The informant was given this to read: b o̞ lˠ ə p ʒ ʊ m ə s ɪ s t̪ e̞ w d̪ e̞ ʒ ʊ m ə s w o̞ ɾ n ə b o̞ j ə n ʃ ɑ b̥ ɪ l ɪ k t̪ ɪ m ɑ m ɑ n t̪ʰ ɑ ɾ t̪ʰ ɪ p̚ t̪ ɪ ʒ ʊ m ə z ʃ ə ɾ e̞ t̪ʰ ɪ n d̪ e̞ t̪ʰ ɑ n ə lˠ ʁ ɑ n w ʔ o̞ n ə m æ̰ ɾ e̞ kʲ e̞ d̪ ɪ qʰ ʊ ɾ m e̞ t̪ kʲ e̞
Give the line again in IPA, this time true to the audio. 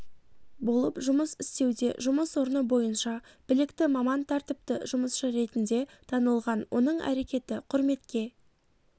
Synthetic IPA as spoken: b o̞ lˠ ə p ʒ ʊ m ə s ɪ s t̪ e̞ w d̪ e̞ ʒ ʊ m ə s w o̞ ɾ n ə b o̞ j ə n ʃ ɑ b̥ ɪ l ɪ k t̪ ɪ m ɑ m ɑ n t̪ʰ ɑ ɾ t̪ ɪ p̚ t̪ ɪ ʒ ʊ m ə s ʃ ə ɾ e̞ t̪ ɪ n d̪ e̞ t̪ʰ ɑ n ə lˠ ʁ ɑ n w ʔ o̞ n ə ɴ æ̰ ɾ e̞ kʲ e̞ t̪ ɪ qʰ ʊ ɾ m e̞ t̪ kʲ e̞